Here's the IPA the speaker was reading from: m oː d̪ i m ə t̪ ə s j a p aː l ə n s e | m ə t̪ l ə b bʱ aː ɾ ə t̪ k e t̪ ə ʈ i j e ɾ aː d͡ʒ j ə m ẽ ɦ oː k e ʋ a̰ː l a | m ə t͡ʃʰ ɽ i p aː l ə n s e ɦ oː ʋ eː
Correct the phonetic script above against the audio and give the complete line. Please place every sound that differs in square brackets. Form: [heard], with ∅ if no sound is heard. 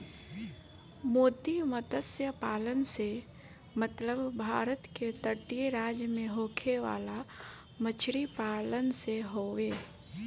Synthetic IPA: m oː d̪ i m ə t̪ ə s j [ə] p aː l ə n s e | m ə t̪ l ə b bʱ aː ɾ ə t̪ k e t̪ ə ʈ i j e ɾ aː d͡ʒ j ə m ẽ ɦ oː [kʰ] e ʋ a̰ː l a | m ə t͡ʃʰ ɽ i p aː l ə n s e ɦ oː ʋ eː

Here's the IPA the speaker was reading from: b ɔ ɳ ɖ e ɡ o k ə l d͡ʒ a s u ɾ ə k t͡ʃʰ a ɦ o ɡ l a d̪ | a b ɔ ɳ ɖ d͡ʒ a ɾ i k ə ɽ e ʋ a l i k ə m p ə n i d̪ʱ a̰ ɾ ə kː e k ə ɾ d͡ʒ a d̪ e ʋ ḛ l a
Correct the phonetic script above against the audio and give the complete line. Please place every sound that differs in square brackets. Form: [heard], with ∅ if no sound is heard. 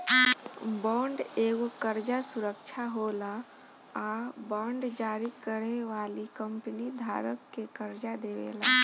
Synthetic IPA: b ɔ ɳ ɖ e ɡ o k ə [ɾ] d͡ʒ a s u ɾ ə k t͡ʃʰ a ɦ o [∅] l a [∅] | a b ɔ ɳ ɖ d͡ʒ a ɾ i k ə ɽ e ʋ a l i k ə m p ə n i d̪ʱ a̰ ɾ ə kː e k ə ɾ d͡ʒ a d̪ e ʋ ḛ l a

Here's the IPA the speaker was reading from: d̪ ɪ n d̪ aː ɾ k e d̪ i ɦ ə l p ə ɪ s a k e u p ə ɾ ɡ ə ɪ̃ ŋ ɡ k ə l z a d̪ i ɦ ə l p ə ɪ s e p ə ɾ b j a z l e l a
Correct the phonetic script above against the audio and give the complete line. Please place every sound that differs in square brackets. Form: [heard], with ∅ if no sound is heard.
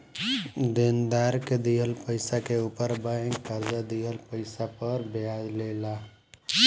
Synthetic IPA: d̪ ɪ n d̪ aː ɾ k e d̪ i ɦ ə l p ə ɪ s a k e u p ə ɾ [b] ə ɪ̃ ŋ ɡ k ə [ɾ] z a d̪ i ɦ ə l p ə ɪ s [a] p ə ɾ b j a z l e l a

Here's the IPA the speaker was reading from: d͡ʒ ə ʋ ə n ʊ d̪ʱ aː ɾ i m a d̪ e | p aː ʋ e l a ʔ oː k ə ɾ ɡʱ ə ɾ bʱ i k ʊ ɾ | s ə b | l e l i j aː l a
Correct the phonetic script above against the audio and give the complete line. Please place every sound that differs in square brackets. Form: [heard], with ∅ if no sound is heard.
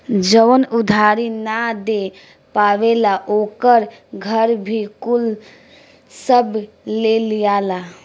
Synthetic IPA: d͡ʒ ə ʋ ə n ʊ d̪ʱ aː ɾ i [n] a d̪ e | p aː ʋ e l a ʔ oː k ə ɾ ɡʱ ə ɾ bʱ i k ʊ [l] | s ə b | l e l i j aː l a

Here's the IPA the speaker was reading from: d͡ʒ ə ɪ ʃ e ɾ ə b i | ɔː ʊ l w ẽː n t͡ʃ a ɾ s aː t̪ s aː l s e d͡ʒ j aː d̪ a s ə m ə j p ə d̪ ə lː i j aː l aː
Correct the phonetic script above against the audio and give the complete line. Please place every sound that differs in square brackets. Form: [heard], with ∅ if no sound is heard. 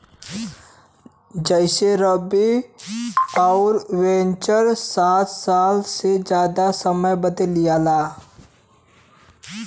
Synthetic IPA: d͡ʒ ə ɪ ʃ e ɾ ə b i | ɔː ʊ [ɾ] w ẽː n t͡ʃ [ə] ɾ s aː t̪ s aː l s e d͡ʒ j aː d̪ a s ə m ə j [b] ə d̪ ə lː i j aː l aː

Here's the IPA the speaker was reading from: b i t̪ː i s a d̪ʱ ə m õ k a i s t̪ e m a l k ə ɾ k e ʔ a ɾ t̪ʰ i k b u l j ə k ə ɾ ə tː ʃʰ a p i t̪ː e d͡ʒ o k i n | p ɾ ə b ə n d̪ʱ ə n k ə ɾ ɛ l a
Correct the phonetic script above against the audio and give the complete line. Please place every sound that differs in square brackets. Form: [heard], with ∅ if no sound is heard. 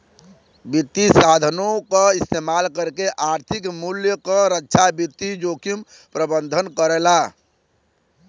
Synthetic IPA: b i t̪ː i s a d̪ʱ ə [n] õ k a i s t̪ e m a l k ə ɾ k e ʔ a ɾ t̪ʰ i k [m] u l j ə k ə ɾ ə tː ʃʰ a [b] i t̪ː [i] d͡ʒ o k i [m] | p ɾ ə b ə n d̪ʱ ə n k ə ɾ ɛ l a

